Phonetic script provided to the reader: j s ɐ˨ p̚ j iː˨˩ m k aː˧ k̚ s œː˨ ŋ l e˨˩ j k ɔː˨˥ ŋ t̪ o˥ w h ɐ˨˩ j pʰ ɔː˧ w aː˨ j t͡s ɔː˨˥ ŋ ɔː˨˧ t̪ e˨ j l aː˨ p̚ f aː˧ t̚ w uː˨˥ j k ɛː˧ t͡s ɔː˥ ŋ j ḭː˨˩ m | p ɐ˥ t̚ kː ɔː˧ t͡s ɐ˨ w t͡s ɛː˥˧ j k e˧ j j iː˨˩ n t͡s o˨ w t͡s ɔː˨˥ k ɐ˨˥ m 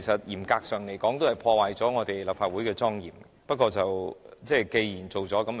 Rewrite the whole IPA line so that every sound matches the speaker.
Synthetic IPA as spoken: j s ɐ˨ t̚ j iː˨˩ m k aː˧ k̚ s œː˨ ŋ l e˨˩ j k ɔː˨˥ ŋ t̪ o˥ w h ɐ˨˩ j pʰ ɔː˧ w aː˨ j t͡s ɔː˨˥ ŋ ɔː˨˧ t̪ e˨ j l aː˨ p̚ f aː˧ t̚ w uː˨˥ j k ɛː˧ t͡s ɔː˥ ŋ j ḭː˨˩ m | p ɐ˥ t̚ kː ɔː˧ t͡s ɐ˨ w t͡s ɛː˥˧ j k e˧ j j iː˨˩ n t͡s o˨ w t͡s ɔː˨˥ k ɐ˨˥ m

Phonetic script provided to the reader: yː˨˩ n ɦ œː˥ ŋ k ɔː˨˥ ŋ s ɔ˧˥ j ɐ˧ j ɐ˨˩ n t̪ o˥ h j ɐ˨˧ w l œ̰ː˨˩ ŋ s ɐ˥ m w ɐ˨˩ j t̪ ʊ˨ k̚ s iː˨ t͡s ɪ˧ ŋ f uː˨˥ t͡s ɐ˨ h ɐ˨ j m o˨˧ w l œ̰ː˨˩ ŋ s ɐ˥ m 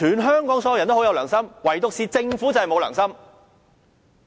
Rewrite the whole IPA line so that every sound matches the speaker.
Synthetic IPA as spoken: yː˨˩ n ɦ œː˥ ŋ k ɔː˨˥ ŋ s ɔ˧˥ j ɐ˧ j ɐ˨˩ n t̪ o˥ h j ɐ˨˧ w l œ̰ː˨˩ ŋ s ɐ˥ m w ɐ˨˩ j t̪ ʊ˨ k̚ s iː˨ t͡s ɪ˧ ŋ f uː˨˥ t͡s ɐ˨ h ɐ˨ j m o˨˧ w l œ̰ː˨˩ ŋ s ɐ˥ m

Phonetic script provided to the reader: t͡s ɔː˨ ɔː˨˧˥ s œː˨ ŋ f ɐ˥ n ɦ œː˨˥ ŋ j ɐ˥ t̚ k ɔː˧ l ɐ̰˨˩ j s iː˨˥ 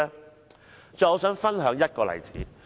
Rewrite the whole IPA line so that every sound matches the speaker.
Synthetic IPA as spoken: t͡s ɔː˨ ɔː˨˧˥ s œː˨˥ ŋ f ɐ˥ n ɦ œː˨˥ ŋ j ɐ˥ t̚ k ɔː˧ l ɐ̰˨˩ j t͡s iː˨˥

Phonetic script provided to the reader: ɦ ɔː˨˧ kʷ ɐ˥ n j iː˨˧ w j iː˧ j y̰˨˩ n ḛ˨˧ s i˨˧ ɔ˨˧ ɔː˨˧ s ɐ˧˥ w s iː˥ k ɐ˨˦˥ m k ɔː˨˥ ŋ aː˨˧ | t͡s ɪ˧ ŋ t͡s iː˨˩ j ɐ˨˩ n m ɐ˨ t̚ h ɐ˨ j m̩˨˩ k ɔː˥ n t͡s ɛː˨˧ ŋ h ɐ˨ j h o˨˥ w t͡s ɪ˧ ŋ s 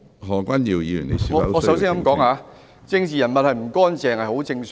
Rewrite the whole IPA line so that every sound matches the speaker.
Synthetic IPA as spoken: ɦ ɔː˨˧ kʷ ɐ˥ n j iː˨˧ w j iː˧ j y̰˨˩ n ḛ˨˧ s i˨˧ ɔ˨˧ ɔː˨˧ s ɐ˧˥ w s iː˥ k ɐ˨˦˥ m k ɔː˨˥ ŋ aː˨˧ | t͡s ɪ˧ ŋ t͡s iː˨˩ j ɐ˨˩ n m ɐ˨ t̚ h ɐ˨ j m̩˨˩ k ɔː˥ n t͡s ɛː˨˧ ŋ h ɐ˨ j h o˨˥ w t͡s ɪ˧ ŋ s

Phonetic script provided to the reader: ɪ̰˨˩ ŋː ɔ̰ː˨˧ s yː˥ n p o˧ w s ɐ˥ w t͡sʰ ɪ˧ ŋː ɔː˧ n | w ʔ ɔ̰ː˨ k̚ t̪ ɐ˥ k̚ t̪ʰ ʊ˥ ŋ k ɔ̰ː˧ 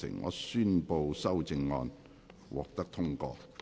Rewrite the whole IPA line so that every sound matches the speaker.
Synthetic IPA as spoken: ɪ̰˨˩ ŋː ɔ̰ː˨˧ s yː˥ n p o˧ w s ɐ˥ w t͡s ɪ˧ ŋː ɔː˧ n | w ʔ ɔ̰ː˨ k̚ t̪ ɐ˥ k̚ t̪ʰ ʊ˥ ŋ k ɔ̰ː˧

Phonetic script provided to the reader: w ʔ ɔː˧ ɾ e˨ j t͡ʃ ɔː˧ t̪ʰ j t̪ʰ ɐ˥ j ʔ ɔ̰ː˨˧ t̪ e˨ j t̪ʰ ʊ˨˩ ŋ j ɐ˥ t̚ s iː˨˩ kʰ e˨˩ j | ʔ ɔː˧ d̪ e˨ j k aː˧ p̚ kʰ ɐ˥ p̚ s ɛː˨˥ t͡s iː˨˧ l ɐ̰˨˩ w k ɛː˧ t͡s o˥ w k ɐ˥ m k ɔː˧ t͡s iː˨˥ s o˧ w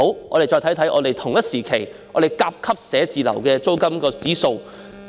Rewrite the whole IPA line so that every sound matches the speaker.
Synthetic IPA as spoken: w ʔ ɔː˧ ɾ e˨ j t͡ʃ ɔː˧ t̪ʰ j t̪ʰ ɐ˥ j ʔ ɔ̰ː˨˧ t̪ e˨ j t̪ʰ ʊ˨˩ ŋ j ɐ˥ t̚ s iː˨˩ kʰ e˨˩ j | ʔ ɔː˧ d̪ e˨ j k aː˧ p̚ kʰ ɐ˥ p̚ s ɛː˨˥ t͡s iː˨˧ l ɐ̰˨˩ w k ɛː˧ t͡s o˥ w k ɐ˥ m k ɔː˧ t͡s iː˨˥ s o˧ w

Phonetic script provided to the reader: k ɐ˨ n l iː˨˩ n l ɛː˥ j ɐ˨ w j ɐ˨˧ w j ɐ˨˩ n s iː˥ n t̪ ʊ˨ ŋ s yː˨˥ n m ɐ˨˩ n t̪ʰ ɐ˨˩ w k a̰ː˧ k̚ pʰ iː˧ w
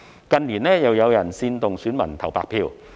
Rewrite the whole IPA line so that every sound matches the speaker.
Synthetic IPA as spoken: k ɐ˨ n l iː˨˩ n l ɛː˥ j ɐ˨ w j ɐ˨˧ w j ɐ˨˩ n s iː˧ n t̪ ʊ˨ ŋ s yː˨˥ n m ɐ˨˩ n t̪ʰ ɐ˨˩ w p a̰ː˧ k̚ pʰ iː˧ w

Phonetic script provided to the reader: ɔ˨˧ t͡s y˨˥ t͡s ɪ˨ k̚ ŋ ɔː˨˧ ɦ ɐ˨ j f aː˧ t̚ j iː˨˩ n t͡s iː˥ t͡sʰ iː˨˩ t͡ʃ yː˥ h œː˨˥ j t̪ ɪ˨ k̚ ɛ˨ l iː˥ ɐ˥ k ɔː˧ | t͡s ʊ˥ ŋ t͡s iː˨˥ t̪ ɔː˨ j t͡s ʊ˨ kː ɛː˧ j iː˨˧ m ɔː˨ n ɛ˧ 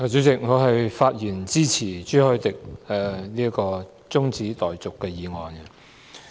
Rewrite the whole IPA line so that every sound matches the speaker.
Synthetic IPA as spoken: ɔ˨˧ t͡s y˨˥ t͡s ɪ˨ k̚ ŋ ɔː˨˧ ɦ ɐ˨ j f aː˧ t̚ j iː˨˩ n t͡s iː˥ t͡sʰ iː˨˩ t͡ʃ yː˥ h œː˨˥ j t̪ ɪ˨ k̚ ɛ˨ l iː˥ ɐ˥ k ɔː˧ | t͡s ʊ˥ ŋ t͡s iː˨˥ t̪ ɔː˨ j t͡s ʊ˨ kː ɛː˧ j iː˨˧ ŋ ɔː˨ n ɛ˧

